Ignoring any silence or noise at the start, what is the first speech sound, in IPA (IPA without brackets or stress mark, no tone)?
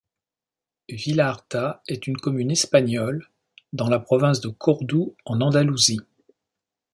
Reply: v